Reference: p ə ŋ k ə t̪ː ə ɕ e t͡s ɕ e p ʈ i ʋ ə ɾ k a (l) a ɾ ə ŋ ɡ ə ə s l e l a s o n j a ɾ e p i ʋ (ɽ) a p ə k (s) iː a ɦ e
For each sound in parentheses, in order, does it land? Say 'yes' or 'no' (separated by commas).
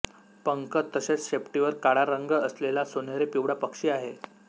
no, yes, no